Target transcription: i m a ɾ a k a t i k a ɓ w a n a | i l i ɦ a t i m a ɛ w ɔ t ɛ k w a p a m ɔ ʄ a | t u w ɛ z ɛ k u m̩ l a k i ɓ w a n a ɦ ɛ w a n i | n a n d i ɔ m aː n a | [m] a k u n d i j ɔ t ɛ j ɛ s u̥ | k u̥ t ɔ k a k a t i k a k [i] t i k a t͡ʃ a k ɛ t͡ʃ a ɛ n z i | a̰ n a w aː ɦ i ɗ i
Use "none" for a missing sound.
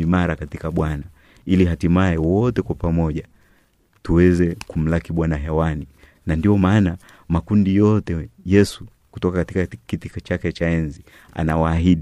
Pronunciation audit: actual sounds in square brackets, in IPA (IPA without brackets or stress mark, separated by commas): m, i